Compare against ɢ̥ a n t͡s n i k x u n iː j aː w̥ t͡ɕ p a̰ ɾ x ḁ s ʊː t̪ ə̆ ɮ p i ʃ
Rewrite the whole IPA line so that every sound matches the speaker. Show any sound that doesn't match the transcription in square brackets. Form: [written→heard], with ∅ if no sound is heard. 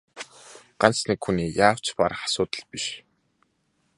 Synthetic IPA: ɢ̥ a n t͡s n i k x u n iː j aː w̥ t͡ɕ p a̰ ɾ [x→χ] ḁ s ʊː t̪ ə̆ ɮ p i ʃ

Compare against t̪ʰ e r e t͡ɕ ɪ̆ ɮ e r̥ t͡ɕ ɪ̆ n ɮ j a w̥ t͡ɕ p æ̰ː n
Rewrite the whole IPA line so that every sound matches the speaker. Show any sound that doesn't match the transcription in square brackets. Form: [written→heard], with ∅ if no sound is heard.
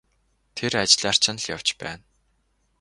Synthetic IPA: t̪ʰ e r [e→a] t͡ɕ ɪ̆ ɮ [e→a] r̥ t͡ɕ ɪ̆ n ɮ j a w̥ t͡ɕ p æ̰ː n

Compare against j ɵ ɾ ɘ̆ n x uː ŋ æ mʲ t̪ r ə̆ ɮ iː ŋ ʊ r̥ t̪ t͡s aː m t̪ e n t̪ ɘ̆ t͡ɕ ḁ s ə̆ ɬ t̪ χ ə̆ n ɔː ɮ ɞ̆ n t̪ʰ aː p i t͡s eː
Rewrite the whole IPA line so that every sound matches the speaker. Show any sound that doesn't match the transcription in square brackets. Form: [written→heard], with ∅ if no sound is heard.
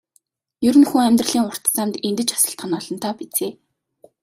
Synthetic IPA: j ɵ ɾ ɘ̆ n x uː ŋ æ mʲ t̪ r ə̆ ɮ iː ŋ ʊ r̥ t̪ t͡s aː m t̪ e n t̪ ɘ̆ t͡ɕ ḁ s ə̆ ɬ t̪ χ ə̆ n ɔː ɮ ɞ̆ n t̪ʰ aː p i t͡s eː

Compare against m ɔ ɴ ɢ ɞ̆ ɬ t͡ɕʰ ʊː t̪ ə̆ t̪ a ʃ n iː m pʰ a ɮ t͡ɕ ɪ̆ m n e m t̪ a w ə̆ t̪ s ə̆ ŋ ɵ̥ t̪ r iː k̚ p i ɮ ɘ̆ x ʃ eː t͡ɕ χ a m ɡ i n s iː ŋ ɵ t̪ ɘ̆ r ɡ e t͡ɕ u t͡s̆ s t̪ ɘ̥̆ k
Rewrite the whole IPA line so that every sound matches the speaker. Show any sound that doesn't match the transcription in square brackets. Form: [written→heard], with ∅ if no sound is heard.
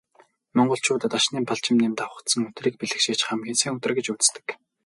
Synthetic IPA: m ɔ ɴ ɢ ɞ̆ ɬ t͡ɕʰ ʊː t̪ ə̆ t̪ a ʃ n iː m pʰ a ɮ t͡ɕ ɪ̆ m n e m t̪ a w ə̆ t̪ s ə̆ ŋ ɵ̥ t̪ r iː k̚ p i ɮ ɘ̆ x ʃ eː t͡ɕ χ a m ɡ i n s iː ŋ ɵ t̪ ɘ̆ r ɡ e t͡ɕ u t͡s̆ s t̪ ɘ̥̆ k

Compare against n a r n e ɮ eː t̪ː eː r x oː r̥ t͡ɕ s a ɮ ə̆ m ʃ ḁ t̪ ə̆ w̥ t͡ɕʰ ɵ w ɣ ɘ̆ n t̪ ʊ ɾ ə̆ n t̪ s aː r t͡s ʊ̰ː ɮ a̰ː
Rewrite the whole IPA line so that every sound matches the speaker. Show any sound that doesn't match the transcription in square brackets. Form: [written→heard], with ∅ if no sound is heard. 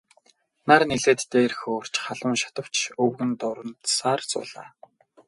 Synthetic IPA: n a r n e ɮ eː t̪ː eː r x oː r̥ t͡ɕ [s→χ] a ɮ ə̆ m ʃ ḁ t̪ ə̆ w̥ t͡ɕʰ ɵ w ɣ ɘ̆ n t̪ ʊ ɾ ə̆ n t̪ s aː r t͡s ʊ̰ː ɮ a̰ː

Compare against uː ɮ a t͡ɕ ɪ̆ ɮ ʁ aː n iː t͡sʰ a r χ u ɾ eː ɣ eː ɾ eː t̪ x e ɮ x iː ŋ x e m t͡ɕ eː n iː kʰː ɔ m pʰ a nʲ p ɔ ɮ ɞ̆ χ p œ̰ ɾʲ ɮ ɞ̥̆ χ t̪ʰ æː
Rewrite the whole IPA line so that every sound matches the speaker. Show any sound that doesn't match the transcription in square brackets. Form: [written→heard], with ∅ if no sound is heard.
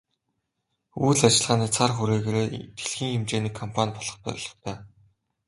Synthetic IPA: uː ɮ a t͡ɕ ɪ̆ ɮ ʁ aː n iː t͡sʰ a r χ u ɾ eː ɣ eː ɾ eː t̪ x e ɮ x iː ŋ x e m t͡ɕ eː n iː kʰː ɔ m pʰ a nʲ p ɔ ɮ ɞ̆ χ p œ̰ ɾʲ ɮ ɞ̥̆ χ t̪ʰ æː

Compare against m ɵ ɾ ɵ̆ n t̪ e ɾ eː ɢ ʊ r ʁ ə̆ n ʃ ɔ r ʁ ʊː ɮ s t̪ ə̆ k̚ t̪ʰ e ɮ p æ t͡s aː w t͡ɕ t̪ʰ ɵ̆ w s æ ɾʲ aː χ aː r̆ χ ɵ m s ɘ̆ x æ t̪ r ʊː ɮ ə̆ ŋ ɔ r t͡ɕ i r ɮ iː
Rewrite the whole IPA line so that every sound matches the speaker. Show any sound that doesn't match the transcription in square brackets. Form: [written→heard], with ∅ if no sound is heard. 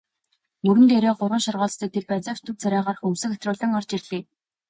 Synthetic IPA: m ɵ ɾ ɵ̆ n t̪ e ɾ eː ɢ ʊ r ʁ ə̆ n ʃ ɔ r ʁ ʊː ɮ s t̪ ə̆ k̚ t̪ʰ e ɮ p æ t͡s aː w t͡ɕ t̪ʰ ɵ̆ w [s→t͡s] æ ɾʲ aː [χ→ʁ] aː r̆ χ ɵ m s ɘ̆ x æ t̪ r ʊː ɮ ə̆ ŋ ɔ r t͡ɕ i r ɮ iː

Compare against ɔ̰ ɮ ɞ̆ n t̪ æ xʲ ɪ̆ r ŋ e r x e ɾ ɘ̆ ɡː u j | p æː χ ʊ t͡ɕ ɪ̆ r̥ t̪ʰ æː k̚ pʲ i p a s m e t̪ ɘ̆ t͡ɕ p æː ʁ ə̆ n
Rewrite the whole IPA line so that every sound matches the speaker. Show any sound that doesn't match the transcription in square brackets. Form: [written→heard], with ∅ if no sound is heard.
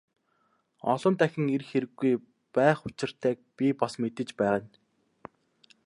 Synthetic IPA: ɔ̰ ɮ ɞ̆ n t̪ æ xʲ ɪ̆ [r→∅] ŋ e r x e ɾ ɘ̆ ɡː u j | p æː χ ʊ t͡ɕ ɪ̆ r̥ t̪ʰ æː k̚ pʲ i p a s m e t̪ ɘ̆ t͡ɕ p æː ʁ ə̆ n

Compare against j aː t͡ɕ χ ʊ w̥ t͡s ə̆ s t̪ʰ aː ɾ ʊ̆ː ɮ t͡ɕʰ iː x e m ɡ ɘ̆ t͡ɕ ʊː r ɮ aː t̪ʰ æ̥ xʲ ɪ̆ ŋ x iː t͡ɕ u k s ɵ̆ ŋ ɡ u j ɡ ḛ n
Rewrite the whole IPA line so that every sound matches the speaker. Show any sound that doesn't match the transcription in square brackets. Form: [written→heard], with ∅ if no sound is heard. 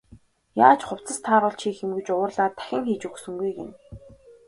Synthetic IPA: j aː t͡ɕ χ ʊ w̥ t͡s ə̆ s t̪ʰ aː ɾ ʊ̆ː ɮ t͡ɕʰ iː x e m ɡ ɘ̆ t͡ɕ ʊː r ɮ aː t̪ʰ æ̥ xʲ ɪ̆ ŋ x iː t͡ɕ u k s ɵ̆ ŋ ɡ u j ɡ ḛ n

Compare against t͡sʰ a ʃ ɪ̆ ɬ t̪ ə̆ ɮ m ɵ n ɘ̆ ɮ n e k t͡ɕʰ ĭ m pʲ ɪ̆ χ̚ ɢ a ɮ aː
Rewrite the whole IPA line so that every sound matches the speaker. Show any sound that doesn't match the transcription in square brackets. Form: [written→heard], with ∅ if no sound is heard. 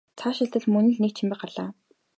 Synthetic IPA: t͡sʰ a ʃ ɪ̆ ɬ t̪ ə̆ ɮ m ɵ n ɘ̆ ɮ n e k t͡ɕʰ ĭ m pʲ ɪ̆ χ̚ ɢ a ɮ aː

